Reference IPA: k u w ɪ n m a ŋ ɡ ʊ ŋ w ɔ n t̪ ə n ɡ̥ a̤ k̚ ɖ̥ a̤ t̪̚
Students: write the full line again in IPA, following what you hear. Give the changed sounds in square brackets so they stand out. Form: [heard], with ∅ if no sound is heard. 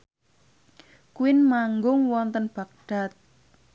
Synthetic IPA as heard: k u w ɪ n m a ŋ ɡ ʊ ŋ w ɔ n t̪ ə n [b̥] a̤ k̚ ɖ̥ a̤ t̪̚